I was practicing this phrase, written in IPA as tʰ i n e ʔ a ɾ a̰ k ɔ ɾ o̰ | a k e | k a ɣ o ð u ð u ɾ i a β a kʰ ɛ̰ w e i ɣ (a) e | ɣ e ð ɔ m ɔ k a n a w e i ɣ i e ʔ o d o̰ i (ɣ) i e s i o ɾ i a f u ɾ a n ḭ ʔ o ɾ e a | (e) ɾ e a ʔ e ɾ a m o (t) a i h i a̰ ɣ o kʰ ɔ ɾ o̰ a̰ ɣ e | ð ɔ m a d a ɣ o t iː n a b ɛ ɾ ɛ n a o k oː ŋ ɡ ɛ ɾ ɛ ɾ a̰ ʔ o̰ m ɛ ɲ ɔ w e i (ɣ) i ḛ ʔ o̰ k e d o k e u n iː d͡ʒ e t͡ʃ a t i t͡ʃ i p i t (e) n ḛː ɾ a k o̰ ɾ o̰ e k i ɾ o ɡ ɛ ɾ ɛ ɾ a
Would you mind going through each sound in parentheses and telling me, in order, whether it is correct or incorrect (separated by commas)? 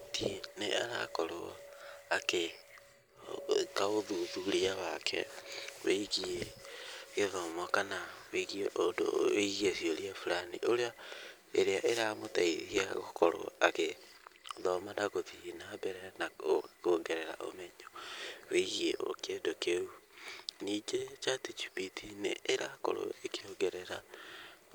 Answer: incorrect, correct, correct, correct, correct, incorrect